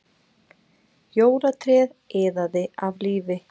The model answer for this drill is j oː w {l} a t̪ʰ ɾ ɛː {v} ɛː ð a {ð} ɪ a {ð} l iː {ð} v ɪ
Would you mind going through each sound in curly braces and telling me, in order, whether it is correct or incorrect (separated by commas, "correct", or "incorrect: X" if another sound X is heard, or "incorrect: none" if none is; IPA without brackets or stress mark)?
incorrect: ɾ, incorrect: ð, correct, incorrect: v, incorrect: none